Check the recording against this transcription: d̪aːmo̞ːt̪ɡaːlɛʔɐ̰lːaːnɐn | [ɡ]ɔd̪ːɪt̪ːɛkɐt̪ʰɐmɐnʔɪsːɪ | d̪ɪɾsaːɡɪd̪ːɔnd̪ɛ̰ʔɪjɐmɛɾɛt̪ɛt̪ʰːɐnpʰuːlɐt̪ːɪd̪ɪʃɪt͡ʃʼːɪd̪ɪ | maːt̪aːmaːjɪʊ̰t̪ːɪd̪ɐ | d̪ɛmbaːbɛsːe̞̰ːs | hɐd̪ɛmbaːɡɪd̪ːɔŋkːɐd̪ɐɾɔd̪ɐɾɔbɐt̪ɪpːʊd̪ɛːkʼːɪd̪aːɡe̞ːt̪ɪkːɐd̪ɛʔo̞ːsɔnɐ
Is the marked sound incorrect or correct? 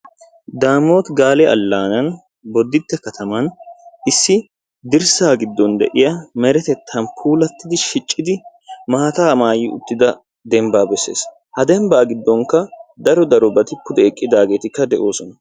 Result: incorrect